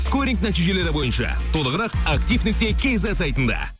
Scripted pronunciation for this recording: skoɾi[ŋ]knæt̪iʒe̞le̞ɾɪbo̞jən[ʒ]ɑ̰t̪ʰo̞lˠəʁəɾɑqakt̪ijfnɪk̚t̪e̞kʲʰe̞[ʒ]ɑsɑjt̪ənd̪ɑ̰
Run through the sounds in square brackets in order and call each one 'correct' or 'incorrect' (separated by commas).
correct, incorrect, incorrect